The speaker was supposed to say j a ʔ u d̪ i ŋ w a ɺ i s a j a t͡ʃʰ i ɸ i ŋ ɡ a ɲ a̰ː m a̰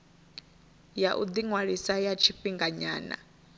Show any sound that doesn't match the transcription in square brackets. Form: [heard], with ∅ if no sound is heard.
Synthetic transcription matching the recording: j a ʔ u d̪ i ŋ w a ɺ i s a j a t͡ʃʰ i ɸ i ŋ ɡ a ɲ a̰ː [n] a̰

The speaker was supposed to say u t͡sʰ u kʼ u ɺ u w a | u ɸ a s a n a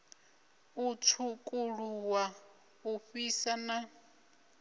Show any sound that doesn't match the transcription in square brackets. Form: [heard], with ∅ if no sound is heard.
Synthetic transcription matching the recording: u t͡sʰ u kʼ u ɺ u w a | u ɸ [i] s a n a

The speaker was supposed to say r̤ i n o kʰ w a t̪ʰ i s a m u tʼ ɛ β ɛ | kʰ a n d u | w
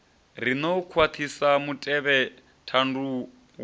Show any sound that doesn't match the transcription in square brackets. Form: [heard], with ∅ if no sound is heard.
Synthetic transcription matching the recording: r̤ i n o kʰ w a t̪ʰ i s a m u tʼ ɛ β ɛ | [tʰ] a n d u | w

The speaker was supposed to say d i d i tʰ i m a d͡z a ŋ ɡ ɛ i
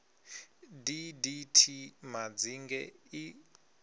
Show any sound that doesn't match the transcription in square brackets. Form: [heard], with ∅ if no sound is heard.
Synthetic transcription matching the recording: d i d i tʰ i m a d͡z [i] ŋ ɡ ɛ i

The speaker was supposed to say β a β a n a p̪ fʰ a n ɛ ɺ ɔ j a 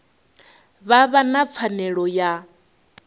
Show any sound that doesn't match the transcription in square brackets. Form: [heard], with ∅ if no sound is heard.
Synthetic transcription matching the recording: β a β a n a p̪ fʰ a n ɛ ɺ ɔ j a

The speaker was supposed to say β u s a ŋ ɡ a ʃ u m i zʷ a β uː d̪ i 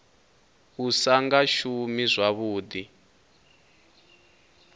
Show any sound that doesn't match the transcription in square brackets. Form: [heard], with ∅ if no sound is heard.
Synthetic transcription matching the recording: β u s a ŋ ɡ a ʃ u m i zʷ a β uː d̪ i

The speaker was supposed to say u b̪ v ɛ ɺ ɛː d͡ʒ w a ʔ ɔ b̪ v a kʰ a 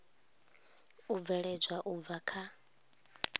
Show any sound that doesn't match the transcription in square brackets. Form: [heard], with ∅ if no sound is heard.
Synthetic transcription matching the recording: u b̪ v ɛ ɺ [ɛ] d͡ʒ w a ʔ [u] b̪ v a kʰ a

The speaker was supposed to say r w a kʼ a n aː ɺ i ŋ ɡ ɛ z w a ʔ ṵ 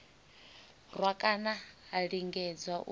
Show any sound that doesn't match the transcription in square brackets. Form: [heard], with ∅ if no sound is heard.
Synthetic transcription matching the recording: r w a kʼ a n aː ɺ i ŋ ɡ ɛ [d͡z] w a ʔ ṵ

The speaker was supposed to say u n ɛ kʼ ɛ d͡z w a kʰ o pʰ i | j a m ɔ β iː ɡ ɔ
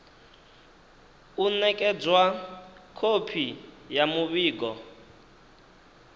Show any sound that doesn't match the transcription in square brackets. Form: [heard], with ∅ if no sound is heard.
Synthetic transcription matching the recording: u n ɛ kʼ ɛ d͡z w a kʰ o pʰ i | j a m [u] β iː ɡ ɔ

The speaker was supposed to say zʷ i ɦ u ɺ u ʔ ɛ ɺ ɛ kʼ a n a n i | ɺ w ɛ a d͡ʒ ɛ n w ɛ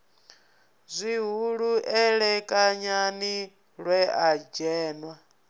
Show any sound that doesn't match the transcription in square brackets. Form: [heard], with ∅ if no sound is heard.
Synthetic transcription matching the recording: zʷ i ɦ u ɺ u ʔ ɛ ɺ ɛ kʼ a [ɲ] a n i | ɺ w ɛ a d͡ʒ [ɛː] n w [a]

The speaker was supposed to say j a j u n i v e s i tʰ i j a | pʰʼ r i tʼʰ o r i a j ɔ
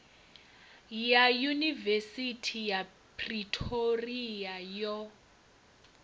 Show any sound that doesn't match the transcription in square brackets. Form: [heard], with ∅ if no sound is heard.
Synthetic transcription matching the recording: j a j u n i v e s i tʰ i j a | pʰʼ r i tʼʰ o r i a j ɔ

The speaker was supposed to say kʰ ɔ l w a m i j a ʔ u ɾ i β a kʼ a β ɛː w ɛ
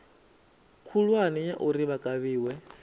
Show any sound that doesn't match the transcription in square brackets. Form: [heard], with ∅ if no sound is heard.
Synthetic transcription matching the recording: kʰ [u] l w a [n] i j a ʔ u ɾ i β a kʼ a β [iː] w ɛ

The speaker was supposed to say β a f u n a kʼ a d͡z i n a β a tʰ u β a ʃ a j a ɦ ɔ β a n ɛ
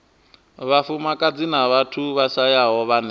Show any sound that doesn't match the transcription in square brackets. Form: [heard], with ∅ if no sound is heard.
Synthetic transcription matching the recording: β a f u [m] a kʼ a d͡z i n a β a tʰ u β a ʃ a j a ɦ ɔ β a n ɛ

